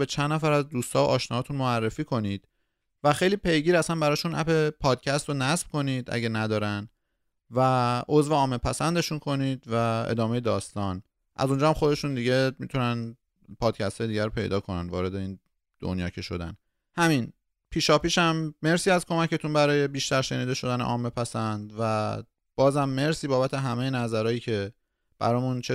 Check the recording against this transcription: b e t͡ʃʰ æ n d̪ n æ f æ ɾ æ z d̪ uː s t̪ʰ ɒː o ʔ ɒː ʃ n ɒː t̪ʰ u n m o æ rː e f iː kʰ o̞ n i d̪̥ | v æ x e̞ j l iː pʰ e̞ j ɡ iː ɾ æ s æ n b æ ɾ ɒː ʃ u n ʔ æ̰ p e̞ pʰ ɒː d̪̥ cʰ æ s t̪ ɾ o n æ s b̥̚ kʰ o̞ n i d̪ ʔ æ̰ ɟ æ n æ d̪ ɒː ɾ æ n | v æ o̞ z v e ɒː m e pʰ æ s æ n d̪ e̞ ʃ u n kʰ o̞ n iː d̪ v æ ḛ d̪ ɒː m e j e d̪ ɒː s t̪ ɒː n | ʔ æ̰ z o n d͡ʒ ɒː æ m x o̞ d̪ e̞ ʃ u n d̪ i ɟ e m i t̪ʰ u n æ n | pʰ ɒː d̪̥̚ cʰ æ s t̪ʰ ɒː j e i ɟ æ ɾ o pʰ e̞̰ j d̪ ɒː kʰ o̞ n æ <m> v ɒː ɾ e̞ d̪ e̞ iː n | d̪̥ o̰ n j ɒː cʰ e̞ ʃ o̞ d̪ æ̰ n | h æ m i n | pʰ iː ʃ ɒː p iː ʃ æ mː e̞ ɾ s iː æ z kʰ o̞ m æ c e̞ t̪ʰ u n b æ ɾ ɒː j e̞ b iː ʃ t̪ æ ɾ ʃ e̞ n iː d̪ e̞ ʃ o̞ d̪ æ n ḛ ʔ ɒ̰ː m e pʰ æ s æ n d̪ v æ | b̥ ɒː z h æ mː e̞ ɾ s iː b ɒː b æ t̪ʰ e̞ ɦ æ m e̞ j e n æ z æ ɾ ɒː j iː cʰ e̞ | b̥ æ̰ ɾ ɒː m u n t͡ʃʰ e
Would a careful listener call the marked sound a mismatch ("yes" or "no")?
yes